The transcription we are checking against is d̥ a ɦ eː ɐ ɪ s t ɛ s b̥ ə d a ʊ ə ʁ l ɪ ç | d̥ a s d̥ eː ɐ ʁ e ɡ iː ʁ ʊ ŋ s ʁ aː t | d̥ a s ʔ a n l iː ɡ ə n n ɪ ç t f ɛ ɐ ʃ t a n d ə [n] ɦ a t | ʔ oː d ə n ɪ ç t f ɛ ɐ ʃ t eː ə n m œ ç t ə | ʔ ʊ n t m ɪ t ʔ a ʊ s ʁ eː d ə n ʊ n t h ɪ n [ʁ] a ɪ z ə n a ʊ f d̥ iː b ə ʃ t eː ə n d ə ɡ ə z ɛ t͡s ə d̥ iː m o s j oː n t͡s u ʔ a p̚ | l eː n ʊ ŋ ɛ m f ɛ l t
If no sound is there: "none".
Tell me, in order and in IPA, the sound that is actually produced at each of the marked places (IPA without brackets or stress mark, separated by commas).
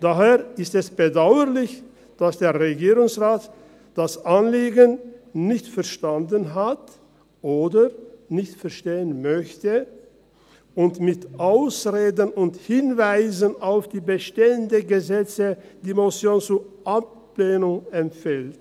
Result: n, v